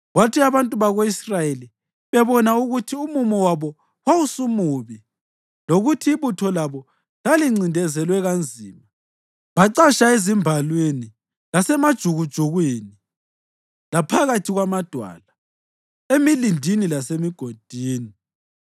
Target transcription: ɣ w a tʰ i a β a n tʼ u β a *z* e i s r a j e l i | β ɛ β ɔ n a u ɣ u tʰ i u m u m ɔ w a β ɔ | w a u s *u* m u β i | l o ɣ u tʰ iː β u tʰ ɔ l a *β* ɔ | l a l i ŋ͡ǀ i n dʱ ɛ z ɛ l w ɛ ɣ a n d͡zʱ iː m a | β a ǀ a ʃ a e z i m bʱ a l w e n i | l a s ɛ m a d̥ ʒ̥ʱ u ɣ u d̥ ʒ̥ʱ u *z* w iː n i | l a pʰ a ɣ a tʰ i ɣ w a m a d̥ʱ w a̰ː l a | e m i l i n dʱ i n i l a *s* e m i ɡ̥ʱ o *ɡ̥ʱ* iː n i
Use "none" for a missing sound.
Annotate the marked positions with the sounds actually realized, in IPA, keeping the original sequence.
ɣ, u, β, ɣ, s, d̥ʱ

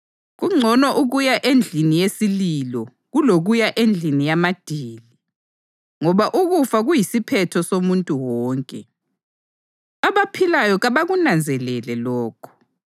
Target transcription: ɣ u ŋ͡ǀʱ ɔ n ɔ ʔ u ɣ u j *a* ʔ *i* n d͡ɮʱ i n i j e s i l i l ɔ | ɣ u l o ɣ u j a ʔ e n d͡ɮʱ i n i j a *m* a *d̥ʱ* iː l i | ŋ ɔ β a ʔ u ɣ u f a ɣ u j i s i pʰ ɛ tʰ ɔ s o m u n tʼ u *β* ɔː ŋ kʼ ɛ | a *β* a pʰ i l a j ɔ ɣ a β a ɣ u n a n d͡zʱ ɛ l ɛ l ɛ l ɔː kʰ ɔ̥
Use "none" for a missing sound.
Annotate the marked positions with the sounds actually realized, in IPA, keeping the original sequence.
a, e, m, d̥ʱ, w, β

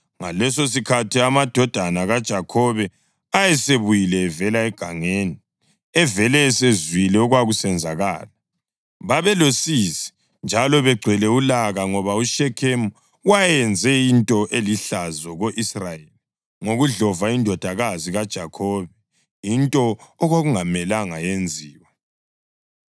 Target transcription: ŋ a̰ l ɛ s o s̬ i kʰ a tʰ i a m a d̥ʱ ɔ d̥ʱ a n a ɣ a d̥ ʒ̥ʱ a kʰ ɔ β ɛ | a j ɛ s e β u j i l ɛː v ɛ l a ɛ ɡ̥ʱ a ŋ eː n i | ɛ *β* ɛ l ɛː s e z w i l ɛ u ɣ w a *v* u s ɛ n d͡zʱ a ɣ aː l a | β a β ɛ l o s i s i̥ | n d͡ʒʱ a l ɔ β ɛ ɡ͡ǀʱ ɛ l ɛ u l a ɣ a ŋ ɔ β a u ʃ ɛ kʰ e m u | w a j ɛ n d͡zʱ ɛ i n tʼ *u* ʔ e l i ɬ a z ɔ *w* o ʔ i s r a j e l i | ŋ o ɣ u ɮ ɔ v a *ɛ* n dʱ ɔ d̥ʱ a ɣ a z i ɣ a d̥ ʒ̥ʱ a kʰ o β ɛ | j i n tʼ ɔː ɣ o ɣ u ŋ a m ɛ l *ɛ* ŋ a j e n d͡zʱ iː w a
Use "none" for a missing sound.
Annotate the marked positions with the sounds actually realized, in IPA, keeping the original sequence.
v, ɣ, ɔ, ɣ, i, a

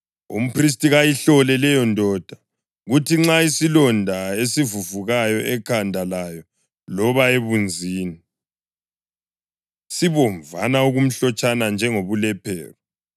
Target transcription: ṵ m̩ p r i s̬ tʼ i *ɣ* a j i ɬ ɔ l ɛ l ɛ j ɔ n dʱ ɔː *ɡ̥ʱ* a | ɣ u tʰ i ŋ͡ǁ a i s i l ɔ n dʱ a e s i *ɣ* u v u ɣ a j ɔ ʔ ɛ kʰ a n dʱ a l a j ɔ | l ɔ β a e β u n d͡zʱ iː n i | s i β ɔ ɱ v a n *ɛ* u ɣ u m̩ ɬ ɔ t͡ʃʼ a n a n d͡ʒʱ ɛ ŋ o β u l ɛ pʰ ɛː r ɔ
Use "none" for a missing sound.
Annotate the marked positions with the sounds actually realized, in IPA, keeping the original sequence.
ɣ, d̥ʱ, v, a

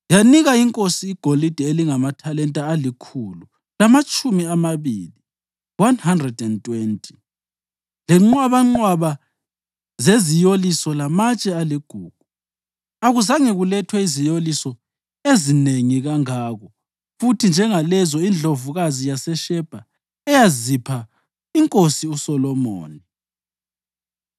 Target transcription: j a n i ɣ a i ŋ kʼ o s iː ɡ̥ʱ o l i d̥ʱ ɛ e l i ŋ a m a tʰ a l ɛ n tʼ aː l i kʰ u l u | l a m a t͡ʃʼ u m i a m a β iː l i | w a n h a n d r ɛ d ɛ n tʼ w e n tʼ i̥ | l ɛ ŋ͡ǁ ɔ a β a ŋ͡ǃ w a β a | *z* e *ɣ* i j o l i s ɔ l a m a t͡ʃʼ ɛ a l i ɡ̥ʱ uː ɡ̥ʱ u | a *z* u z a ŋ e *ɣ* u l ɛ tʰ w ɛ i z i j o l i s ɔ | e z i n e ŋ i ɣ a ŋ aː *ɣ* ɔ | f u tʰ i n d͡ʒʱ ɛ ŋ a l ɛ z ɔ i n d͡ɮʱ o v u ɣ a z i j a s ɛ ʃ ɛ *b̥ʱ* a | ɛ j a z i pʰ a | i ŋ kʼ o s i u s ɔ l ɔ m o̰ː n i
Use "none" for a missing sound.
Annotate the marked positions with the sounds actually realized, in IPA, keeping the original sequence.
z, z, ɣ, ɣ, ɣ, b̥ʱ

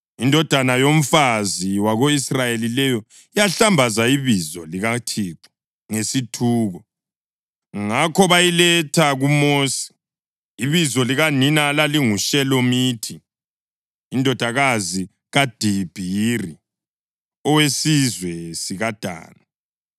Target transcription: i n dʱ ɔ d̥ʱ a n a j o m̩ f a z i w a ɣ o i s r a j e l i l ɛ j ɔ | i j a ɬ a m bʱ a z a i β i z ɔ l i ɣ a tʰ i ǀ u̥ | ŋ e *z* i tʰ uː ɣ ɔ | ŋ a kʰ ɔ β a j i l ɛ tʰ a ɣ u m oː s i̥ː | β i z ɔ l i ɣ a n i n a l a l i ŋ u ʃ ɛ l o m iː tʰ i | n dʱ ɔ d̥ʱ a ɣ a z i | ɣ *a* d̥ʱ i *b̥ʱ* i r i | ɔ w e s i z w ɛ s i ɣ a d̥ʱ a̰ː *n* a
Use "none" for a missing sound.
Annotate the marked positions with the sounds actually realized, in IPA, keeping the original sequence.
s, a, b̥ʱ, n

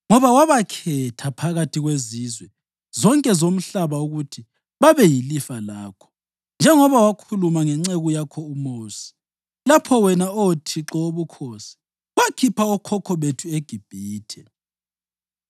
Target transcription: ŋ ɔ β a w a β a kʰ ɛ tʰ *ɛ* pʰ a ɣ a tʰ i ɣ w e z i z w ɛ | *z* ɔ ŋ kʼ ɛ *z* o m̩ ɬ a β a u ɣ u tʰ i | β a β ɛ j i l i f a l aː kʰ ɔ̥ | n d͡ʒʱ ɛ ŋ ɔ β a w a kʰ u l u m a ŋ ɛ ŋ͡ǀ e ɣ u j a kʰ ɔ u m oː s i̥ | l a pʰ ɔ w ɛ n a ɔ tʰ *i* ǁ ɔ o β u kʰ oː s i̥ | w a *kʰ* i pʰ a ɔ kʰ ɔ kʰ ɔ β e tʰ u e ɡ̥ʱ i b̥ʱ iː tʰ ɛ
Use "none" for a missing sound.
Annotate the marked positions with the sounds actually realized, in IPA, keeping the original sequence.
a, z, z, i, kʰ

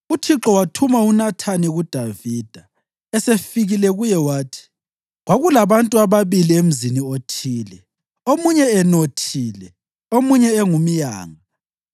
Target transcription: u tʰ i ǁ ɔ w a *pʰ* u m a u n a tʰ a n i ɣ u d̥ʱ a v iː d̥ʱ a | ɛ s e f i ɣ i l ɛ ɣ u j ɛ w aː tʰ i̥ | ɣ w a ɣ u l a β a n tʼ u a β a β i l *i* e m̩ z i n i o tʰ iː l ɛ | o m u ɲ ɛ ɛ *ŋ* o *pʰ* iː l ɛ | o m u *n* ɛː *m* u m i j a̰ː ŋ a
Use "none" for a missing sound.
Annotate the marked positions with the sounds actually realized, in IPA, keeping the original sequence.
tʰ, i, n, tʰ, ɲ, ŋ

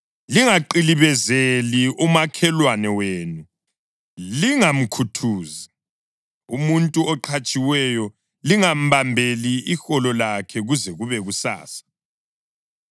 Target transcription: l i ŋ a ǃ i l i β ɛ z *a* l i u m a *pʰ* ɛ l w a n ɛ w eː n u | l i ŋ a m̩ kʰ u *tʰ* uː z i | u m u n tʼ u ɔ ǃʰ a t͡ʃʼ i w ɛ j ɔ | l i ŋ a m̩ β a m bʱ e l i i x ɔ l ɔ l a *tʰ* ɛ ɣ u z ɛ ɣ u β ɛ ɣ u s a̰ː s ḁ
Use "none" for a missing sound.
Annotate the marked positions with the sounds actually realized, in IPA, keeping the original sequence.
e, kʰ, tʰ, kʰ

